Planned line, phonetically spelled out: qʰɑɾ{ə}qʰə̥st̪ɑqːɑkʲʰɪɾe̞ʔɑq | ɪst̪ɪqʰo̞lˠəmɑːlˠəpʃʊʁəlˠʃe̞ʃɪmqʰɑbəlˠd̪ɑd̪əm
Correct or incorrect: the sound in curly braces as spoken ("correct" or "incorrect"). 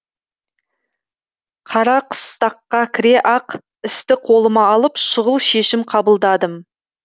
incorrect